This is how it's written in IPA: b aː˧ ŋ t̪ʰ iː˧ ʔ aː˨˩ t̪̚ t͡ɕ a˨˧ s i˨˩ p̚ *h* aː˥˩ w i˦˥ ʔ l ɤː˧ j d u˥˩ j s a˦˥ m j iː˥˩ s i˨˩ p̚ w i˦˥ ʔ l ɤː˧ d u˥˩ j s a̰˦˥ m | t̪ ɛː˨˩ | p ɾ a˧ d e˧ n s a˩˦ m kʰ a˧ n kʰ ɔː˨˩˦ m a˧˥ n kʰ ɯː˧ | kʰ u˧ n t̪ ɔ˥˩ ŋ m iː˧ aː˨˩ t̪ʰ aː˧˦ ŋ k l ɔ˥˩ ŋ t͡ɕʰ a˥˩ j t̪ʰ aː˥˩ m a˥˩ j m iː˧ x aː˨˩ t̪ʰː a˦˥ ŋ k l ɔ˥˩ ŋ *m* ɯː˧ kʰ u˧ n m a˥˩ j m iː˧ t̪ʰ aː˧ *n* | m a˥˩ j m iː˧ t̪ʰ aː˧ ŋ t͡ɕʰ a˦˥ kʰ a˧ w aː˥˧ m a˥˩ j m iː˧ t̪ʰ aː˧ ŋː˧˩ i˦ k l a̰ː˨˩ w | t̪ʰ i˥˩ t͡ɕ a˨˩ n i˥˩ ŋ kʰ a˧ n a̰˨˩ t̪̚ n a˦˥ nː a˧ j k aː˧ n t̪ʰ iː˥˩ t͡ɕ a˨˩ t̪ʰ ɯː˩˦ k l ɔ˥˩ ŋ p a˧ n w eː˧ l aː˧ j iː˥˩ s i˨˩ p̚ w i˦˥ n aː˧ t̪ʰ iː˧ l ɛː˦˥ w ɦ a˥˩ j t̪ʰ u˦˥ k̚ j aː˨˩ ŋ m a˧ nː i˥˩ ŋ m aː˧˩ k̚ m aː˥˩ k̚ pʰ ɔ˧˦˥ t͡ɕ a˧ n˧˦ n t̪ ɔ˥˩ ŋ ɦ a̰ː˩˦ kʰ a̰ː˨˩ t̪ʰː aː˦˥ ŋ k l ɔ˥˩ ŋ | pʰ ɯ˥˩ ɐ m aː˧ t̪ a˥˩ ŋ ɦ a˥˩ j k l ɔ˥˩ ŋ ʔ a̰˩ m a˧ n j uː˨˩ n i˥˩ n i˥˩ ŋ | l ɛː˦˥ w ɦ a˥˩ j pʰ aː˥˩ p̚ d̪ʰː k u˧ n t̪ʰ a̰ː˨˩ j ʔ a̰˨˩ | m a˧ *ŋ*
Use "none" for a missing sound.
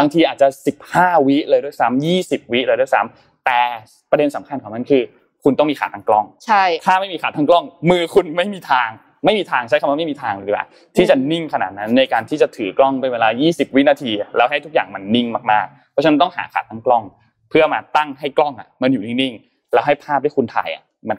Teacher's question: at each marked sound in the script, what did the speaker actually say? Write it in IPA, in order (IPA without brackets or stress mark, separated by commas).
h, m, ŋ, n